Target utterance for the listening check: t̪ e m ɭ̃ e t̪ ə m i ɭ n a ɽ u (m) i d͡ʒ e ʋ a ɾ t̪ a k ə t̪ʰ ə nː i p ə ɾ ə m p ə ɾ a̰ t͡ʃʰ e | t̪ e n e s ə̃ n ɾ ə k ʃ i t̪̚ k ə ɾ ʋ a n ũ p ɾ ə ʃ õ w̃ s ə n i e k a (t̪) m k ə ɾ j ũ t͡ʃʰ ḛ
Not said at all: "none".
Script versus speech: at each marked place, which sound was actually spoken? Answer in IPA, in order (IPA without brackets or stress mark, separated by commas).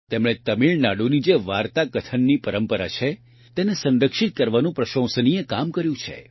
n, none